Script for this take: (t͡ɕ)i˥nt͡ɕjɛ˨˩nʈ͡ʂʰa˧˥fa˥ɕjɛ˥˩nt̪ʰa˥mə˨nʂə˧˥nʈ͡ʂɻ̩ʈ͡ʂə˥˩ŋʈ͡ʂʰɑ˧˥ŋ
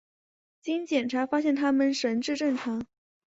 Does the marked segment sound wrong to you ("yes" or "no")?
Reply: no